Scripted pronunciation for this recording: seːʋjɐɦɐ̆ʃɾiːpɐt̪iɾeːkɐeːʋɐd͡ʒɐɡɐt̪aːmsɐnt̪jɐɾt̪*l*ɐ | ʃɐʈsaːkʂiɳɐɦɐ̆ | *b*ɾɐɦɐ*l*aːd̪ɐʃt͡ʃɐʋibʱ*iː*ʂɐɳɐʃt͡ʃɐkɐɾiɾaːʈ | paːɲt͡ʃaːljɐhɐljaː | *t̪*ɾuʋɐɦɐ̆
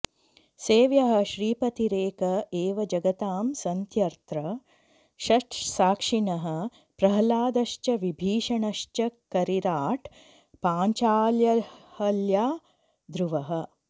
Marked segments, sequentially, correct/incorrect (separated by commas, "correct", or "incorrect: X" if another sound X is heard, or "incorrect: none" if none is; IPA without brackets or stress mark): incorrect: ɾ, incorrect: p, correct, correct, incorrect: d̪